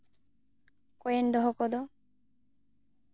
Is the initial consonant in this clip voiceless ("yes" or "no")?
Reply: yes